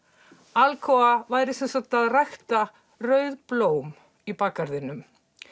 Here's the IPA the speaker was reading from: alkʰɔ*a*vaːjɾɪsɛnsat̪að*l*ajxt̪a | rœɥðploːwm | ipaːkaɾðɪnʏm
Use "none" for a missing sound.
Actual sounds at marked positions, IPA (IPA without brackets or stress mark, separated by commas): a, r